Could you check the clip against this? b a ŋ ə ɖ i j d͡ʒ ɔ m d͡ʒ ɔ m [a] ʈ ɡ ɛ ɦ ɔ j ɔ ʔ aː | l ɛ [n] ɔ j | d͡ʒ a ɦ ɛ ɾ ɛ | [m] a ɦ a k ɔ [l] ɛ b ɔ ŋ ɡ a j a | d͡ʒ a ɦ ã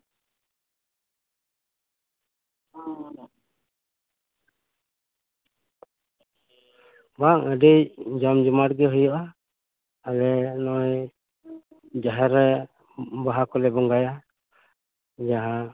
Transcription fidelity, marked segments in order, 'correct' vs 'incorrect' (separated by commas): correct, correct, incorrect, correct